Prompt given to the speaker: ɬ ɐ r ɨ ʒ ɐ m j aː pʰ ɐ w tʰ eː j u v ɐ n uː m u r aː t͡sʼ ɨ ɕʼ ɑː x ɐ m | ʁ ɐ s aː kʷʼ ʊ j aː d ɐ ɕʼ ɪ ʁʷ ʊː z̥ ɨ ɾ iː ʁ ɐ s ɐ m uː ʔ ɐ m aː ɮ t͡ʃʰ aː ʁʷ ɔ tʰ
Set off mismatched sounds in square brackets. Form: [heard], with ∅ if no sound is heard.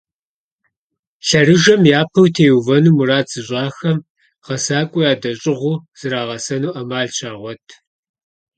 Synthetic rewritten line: ɬ ɐ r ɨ ʒ ɐ m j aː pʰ ɐ w tʰ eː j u v ɐ n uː m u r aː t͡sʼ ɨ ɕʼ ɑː x ɐ m | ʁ ɐ s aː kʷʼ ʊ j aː d ɐ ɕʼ ɪ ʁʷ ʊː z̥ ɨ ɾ [aː] ʁ ɐ s ɐ [n] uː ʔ ɐ m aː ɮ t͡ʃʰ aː ʁʷ ɔ tʰ